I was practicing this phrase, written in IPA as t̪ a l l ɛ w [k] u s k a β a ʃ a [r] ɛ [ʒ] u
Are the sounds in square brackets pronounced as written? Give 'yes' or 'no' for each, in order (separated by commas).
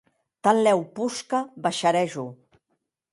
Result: no, no, yes